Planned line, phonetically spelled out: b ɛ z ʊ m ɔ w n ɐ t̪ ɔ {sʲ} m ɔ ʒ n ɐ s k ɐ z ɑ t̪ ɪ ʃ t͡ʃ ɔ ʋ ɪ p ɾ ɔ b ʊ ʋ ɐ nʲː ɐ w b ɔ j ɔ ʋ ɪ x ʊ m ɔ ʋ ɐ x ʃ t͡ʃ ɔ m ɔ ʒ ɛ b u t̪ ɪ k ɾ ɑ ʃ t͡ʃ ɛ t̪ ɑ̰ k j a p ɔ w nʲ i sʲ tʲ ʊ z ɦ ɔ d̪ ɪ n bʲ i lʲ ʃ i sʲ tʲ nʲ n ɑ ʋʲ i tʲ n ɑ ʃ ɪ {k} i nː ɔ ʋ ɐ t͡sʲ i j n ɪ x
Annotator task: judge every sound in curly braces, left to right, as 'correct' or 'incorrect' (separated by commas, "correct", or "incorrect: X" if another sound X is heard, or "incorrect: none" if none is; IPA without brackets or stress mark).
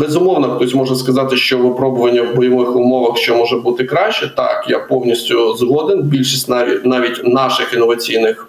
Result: correct, incorrect: x